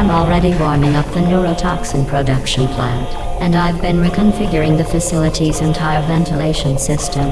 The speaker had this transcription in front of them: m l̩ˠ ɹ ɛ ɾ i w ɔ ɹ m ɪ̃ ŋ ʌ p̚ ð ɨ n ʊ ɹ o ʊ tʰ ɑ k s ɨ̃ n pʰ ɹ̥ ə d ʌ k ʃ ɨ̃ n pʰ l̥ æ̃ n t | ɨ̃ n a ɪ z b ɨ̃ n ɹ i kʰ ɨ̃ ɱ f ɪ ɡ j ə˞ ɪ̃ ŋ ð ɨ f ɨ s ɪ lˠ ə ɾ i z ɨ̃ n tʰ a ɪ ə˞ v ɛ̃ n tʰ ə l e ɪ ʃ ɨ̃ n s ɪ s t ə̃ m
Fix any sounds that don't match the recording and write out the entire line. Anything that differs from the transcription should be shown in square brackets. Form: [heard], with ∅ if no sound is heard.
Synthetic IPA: m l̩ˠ ɹ ɛ ɾ i w ɔ ɹ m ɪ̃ ŋ ʌ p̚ ð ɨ n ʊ ɹ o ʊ tʰ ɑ k s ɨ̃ n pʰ ɹ̥ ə d ʌ k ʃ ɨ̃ n pʰ l̥ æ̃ n t | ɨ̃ n a ɪ [v] b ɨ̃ n ɹ i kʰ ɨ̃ ɱ f ɪ ɡ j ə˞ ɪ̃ ŋ ð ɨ f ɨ s ɪ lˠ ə ɾ i z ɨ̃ n tʰ a ɪ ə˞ v ɛ̃ n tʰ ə l e ɪ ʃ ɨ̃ n s ɪ s t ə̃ m